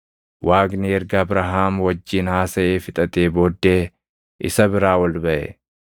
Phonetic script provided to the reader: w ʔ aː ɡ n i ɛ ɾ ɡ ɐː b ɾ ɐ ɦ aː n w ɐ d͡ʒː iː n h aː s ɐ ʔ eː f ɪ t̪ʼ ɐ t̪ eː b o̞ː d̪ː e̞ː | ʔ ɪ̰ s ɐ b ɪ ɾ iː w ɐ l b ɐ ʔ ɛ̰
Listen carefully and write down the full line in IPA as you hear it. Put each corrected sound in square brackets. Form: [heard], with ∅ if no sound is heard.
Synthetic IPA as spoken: w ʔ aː ɡ n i ɛ ɾ ɡ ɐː b ɾ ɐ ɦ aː [m] w ɐ d͡ʒː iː n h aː s ɐ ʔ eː f ɪ t̪ʼ ɐ t̪ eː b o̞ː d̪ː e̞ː | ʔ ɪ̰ s ɐ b ɪ ɾ [aː] w ɐ l b ɐ ʔ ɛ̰